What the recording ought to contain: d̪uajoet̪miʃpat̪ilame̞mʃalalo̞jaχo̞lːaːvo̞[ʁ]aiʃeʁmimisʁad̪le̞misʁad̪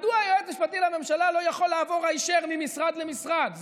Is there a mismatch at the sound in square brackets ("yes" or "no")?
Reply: no